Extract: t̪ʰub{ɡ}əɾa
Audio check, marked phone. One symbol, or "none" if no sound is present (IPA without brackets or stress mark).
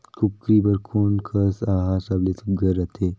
ɡ